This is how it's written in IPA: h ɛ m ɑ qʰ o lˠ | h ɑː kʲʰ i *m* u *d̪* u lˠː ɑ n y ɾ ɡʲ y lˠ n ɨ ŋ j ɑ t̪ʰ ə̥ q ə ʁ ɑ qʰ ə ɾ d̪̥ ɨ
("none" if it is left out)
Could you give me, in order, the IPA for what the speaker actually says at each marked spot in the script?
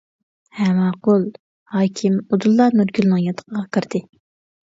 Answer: m, d̪

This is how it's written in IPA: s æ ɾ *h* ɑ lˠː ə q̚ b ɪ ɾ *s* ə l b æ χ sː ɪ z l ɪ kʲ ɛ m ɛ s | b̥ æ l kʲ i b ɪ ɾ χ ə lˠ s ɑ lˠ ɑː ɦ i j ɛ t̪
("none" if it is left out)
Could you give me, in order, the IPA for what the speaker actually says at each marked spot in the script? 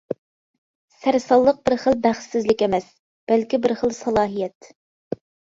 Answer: s, χ

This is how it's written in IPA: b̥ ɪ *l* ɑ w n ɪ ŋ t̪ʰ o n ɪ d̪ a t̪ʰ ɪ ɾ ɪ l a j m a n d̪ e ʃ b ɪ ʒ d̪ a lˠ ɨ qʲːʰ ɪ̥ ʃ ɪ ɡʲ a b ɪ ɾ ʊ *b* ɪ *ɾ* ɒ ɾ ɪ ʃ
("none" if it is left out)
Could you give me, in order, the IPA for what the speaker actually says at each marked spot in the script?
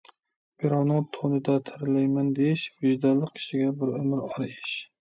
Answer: ɾ, m, ɾ

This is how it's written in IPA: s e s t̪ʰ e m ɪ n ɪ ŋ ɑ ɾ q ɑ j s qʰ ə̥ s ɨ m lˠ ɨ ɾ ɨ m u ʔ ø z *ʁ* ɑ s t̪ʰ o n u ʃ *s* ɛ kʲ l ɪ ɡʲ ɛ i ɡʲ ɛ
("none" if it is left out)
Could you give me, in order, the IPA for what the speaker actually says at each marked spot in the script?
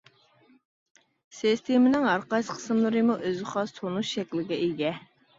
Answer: χ, ʃ

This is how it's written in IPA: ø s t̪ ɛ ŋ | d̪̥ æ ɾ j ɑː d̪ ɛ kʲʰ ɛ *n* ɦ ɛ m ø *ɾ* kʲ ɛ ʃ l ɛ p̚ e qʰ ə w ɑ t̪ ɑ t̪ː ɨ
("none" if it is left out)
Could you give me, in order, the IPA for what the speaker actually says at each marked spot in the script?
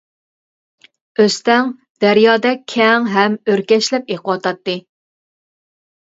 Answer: ŋ, ɾ

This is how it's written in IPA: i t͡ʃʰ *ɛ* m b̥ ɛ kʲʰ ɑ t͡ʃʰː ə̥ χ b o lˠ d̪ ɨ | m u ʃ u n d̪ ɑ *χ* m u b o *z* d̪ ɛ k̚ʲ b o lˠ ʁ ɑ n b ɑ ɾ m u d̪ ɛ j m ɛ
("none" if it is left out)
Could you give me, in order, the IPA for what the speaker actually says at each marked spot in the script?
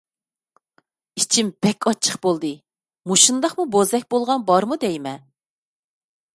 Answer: i, χ, z

